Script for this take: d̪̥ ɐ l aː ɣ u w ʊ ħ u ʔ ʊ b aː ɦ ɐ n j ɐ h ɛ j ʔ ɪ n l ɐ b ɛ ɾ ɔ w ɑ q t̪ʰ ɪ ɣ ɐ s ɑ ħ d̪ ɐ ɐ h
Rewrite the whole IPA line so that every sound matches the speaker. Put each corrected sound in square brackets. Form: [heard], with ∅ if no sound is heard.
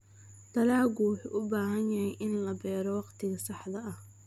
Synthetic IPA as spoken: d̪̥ ɐ l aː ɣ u w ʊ ħ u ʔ ʊ b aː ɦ ɐ n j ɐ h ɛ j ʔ ɪ n l ɐ b [ɛː] ɾ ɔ w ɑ q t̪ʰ ɪ ɣ ɐ s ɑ ħ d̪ ɐ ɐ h

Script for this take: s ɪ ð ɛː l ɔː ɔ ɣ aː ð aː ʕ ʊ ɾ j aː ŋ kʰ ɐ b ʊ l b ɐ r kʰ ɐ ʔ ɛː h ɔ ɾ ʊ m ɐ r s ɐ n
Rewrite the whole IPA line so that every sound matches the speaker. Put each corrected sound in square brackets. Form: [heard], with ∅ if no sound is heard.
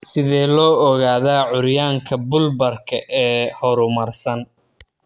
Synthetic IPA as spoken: s ɪ ð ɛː l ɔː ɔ ɣ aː ð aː ʕ ʊ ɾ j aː ŋ kʰ ɐ b ʊ l b ɐ r kʰ ɐ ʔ ɛː h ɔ ɾ ʊ m ɐ r s ɐ n

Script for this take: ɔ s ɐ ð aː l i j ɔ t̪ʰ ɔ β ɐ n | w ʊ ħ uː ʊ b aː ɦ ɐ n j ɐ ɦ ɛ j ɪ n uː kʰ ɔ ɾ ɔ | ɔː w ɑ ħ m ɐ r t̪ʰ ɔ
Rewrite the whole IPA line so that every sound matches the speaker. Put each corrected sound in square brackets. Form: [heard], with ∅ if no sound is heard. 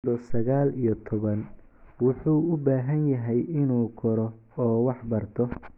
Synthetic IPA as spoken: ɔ s ɐ [ɣ] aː l i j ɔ t̪ʰ ɔ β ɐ n | w ʊ ħ uː ʊ b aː ɦ ɐ n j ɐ ɦ ɛ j ɪ n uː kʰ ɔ ɾ ɔ | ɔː w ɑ ħ [b] ɐ r t̪ʰ ɔ

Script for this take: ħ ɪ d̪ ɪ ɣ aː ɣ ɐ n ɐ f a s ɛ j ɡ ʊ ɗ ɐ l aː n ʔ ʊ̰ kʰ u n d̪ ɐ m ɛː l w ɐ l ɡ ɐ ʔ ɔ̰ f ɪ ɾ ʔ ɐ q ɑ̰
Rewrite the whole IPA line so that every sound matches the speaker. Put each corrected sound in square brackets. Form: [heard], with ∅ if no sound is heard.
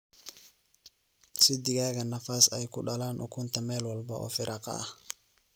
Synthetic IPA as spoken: [s] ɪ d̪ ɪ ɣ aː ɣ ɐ n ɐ f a s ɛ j [k] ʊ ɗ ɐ l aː n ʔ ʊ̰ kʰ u n [t̪] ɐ m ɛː l w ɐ l [b] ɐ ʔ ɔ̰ f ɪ ɾ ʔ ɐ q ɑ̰

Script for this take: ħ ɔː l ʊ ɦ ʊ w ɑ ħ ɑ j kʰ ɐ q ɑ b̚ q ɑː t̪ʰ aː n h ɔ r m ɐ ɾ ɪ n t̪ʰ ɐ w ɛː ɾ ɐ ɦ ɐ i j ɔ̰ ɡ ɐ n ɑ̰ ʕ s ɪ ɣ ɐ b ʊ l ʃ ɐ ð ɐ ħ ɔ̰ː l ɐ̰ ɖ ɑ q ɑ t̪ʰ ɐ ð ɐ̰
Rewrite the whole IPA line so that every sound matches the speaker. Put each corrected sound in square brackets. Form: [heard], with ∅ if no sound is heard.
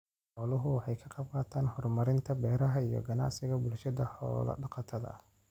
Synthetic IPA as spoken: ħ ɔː l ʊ ɦ ʊ w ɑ ħ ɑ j kʰ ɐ q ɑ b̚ q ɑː t̪ʰ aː n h ɔ r m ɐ ɾ ɪ n t̪ʰ ɐ [b] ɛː ɾ ɐ ɦ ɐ i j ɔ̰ ɡ ɐ n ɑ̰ ʕ s ɪ ɣ ɐ b ʊ l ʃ ɐ ð ɐ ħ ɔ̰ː l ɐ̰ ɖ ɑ q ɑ t̪ʰ ɐ ð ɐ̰

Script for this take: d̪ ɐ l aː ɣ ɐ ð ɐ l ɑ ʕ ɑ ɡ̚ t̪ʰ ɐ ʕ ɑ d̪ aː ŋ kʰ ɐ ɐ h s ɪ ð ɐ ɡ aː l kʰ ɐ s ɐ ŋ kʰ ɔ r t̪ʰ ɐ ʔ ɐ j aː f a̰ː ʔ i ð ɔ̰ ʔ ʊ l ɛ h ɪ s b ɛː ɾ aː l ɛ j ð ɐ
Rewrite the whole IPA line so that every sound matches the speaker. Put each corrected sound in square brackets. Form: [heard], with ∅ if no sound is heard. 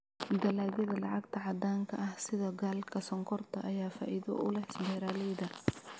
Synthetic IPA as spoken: d̪ ɐ l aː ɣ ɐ ð ɐ l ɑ ʕ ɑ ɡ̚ t̪ʰ ɐ ʕ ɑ d̪ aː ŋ kʰ ɐ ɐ h s ɪ ð ɐ ɡ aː l kʰ ɐ s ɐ ŋ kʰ ɔ r t̪ʰ ɐ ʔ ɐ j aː f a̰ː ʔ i ð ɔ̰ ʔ ʊ l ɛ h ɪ s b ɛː ɾ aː l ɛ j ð ɐ

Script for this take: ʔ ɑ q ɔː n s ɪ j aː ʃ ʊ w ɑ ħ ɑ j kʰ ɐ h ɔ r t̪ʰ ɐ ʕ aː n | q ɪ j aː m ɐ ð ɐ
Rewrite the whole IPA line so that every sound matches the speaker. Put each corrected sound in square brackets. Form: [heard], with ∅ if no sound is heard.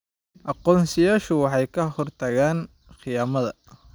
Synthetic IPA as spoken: ʔ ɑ q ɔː n s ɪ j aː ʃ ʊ w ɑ ħ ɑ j kʰ ɐ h ɔ r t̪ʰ ɐ [ɣ] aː n | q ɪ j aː m ɐ ð ɐ

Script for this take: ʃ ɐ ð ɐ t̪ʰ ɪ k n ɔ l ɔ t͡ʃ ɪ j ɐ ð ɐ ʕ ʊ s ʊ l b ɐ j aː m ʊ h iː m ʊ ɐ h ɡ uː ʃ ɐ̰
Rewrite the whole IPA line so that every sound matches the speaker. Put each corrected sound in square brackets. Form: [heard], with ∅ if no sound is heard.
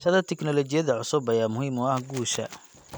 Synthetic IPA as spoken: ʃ ɐ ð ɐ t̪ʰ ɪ k n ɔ l ɔ t͡ʃ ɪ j ɐ ð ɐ ʕ ʊ s ʊ [∅] b ɐ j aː m ʊ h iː m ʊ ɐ h ɡ uː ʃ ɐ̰

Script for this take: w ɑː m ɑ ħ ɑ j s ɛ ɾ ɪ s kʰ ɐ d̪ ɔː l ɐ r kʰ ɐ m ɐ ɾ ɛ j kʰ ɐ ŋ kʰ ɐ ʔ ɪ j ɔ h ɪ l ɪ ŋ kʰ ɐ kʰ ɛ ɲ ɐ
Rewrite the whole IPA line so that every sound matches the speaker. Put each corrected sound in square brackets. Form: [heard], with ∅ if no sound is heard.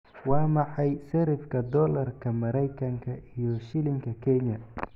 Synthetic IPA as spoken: w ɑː m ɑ ħ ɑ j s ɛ ɾ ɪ [f] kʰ ɐ d̪ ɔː l ɐ r kʰ ɐ m ɐ ɾ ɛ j kʰ ɐ ŋ kʰ ɐ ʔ [i] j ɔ [ʃ] ɪ l ɪ ŋ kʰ ɐ kʰ ɛ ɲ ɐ

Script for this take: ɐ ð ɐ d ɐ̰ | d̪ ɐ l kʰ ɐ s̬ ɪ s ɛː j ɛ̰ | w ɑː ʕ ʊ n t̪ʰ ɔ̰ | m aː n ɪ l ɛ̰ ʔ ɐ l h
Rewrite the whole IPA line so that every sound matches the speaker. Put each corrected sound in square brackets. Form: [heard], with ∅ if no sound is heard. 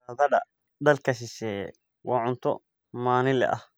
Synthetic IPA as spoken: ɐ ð ɐ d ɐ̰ | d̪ ɐ l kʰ ɐ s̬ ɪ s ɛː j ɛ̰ | w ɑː ʕ ʊ n t̪ʰ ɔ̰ | m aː n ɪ l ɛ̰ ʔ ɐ [∅] h

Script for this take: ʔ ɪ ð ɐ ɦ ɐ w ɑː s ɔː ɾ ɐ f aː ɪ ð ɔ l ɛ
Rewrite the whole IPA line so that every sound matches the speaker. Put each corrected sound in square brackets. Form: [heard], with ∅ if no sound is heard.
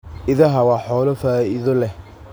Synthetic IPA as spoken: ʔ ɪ ð ɐ ɦ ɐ w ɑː [ħ] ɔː [l] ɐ f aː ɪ ð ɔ l ɛ

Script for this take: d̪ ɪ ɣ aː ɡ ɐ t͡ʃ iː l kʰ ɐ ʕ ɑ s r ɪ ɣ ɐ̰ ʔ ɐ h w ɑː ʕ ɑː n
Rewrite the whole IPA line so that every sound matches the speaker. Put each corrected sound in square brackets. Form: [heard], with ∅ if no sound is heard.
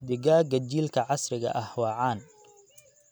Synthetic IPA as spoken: d̪ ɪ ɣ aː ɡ ɐ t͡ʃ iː l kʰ ɐ ʕ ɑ s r ɪ ɣ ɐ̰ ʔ ɐ h w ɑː ʕ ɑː n

